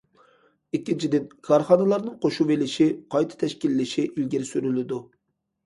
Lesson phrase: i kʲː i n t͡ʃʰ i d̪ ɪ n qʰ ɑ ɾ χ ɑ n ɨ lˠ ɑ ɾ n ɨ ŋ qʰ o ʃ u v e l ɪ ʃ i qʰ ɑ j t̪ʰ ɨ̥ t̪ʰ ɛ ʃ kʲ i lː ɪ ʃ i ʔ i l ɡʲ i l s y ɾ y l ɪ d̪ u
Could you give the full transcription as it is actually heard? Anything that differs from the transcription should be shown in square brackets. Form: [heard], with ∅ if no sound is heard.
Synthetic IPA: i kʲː i n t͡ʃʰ i d̪ ɪ n [kʰ] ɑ ɾ χ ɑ n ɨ lˠ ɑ ɾ n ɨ ŋ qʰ o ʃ u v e l ɪ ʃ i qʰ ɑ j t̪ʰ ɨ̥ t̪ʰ ɛ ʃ kʲ i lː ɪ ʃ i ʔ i l ɡʲ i [ɾ] s y ɾ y l ɪ d̪ u